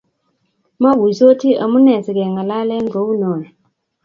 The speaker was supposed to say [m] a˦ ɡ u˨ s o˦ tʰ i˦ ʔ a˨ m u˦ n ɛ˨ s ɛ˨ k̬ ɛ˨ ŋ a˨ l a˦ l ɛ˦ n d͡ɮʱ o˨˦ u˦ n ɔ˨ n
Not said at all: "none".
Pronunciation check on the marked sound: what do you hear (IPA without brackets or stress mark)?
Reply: m